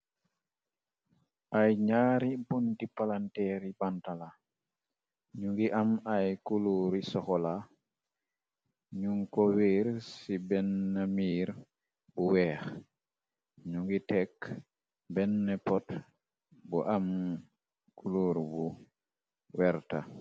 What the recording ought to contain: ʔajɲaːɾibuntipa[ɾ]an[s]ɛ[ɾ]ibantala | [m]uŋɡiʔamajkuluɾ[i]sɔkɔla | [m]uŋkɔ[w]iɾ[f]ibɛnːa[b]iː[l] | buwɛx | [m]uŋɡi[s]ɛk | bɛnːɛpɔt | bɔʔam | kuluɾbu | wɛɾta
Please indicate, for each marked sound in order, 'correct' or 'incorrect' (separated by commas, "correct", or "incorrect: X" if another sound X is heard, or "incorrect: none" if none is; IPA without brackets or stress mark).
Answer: incorrect: l, incorrect: t, correct, incorrect: ɲ, correct, incorrect: ɲ, correct, incorrect: s, incorrect: m, incorrect: ɾ, incorrect: ɲ, incorrect: t